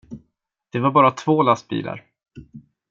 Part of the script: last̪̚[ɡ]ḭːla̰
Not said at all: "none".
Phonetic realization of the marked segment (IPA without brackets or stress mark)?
b